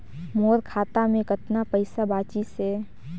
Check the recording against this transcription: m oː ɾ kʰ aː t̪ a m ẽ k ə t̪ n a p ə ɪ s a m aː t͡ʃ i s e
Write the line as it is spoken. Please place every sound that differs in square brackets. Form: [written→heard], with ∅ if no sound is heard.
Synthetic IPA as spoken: m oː ɾ kʰ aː t̪ a m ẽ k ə t̪ n a p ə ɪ s a [m→b] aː t͡ʃ i s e